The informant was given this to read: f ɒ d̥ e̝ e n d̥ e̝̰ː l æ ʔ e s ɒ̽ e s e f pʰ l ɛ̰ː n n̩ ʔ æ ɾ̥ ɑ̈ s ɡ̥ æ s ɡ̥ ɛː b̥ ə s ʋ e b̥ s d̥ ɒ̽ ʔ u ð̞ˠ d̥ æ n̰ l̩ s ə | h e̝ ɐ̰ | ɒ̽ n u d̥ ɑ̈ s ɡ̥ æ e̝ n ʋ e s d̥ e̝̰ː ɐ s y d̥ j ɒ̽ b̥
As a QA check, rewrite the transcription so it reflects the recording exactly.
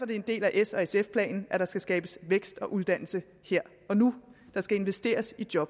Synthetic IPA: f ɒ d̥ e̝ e n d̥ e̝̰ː l æ ʔ e s ɒ̽ e s e f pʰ l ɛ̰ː n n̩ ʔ æ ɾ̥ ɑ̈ s ɡ̥ æ s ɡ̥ ɛː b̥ ə s ʋ e ɡ̥ s d̥ ɒ̽ ʔ u ð̞ˠ d̥ æ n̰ l̩ s ə | h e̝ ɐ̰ | ɒ̽ n u d̥ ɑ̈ s ɡ̥ æ e̝ n ʋ e s d̥ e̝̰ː ɐ s i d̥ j ɒ̽ b̥